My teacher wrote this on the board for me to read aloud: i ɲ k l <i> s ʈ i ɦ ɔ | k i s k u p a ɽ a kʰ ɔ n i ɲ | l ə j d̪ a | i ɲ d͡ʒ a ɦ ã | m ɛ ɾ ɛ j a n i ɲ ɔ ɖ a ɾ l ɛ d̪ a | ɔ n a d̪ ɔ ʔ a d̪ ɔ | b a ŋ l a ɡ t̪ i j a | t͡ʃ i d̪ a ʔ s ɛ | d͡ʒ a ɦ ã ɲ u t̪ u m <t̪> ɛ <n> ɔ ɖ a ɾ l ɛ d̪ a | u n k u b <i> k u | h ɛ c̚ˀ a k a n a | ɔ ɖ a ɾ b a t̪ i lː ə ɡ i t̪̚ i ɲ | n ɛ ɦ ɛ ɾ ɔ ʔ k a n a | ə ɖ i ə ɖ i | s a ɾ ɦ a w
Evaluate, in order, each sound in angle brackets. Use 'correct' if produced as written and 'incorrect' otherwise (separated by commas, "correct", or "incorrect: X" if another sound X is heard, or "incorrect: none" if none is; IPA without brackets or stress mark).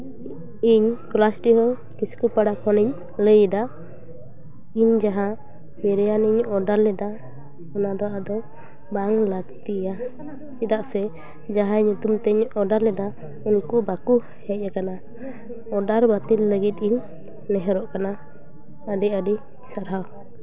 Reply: incorrect: a, correct, incorrect: ɲ, incorrect: a